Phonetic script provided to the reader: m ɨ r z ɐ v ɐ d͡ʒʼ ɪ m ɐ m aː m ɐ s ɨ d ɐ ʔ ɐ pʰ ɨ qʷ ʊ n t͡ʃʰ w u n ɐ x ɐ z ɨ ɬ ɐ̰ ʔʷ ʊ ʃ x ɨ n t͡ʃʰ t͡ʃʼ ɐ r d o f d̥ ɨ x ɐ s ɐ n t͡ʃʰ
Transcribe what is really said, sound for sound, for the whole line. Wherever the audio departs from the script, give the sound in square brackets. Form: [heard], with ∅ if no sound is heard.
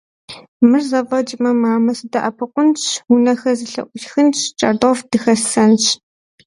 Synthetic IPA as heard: m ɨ r z ɐ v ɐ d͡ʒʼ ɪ m ɐ m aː m ɐ s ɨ d ɐ ʔ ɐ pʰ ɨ qʷ ʊ n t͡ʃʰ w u n ɐ x ɐ z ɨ ɬ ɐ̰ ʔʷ ʊ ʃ x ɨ n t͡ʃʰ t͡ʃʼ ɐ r d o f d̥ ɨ x ɐ s ɐ n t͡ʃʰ